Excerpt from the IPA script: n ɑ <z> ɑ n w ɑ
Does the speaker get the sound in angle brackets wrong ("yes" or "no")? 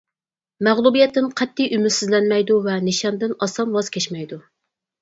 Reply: yes